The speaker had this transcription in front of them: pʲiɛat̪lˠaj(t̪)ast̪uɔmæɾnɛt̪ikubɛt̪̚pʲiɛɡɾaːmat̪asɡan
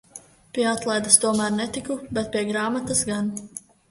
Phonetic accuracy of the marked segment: incorrect: d̪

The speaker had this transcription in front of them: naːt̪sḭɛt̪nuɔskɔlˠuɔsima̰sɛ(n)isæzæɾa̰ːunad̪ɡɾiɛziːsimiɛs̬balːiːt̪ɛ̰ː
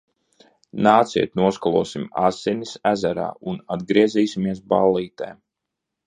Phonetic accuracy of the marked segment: correct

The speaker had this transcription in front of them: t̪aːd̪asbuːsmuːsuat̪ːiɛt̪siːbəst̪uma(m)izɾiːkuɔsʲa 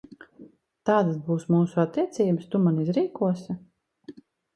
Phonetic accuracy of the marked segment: incorrect: n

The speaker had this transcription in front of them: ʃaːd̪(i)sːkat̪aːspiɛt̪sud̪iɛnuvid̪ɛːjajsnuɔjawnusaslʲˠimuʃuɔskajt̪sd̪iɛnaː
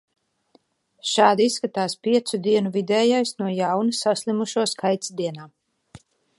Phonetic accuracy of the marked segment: correct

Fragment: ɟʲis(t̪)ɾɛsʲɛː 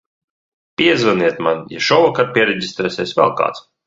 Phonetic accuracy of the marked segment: correct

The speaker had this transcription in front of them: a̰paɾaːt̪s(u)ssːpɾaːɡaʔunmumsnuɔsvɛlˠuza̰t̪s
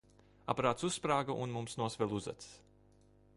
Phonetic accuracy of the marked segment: correct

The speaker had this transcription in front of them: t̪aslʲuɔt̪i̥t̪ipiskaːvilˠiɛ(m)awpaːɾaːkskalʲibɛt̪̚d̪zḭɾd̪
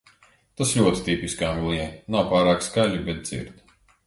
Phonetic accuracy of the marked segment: incorrect: n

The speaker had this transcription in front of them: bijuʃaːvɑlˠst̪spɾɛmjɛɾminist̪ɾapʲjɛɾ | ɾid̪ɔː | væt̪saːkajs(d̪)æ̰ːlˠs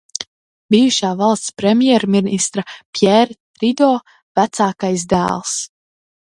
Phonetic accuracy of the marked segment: correct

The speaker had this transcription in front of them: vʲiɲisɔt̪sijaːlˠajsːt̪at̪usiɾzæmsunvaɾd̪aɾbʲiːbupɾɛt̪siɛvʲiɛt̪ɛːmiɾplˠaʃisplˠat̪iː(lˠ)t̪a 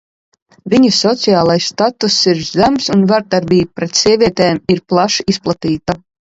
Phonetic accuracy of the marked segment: incorrect: none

